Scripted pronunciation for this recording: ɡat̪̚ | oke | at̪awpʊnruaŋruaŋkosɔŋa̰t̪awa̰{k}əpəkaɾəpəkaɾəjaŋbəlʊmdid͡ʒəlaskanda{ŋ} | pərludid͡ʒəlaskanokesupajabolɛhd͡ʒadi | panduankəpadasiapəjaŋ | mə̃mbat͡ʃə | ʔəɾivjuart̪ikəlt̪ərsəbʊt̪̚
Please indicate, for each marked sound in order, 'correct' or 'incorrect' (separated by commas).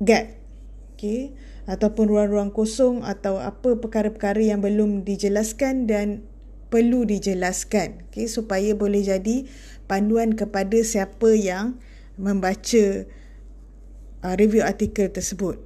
incorrect, incorrect